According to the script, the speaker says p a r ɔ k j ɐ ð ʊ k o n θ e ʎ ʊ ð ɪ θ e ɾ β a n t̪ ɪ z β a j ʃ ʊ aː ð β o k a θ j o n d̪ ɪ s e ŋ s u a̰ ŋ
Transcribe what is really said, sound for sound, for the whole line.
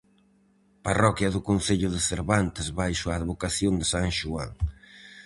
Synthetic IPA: p a r ɔ k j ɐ ð ʊ k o n θ e ʎ ʊ ð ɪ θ e ɾ β a n t̪ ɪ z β a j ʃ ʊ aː ð β o k a θ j o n d̪ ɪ s a ŋ ʃ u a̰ ŋ